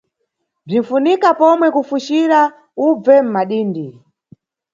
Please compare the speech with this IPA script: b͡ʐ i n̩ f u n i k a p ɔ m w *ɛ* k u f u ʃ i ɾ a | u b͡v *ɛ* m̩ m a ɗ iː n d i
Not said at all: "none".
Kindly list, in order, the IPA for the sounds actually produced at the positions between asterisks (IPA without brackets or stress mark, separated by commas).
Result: ɛ, ɛ